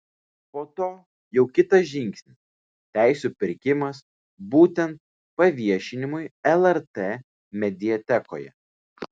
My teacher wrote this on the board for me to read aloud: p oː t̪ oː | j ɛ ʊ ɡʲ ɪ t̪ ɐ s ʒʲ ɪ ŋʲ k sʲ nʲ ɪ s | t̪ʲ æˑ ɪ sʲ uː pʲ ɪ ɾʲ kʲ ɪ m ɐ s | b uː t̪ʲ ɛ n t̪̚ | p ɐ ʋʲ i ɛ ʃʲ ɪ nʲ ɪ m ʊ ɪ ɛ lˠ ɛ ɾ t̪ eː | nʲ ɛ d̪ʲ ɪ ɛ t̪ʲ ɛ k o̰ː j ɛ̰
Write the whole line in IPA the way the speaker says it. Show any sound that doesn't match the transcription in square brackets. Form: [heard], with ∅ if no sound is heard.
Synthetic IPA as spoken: p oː t̪ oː | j ɛ ʊ [kʲ] ɪ t̪ ɐ s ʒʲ ɪ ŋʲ k sʲ nʲ ɪ s | t̪ʲ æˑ ɪ sʲ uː pʲ ɪ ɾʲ kʲ ɪ m ɐ s | b uː t̪ʲ ɛ n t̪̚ | p ɐ ʋʲ i ɛ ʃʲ ɪ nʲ ɪ m ʊ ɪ ɛ lˠ ɛ ɾ t̪ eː | [mʲ] ɛ d̪ʲ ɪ ɛ t̪ʲ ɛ k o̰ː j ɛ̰